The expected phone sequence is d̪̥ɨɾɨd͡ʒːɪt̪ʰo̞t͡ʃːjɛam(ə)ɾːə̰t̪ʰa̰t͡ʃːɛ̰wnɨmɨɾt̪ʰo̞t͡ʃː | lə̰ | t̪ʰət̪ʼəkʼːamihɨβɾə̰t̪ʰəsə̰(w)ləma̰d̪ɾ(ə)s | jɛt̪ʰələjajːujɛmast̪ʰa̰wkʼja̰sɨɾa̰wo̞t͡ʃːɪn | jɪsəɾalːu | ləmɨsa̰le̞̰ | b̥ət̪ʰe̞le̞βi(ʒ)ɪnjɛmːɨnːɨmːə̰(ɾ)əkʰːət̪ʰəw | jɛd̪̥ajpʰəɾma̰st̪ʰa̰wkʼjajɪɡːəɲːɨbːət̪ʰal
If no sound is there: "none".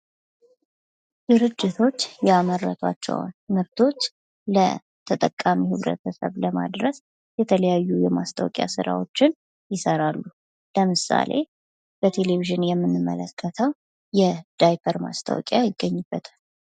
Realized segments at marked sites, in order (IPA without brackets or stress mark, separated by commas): ə, β, ə, ʒ, l